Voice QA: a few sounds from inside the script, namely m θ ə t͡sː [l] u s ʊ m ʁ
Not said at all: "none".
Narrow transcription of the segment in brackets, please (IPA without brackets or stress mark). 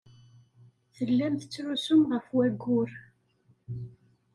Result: ɾ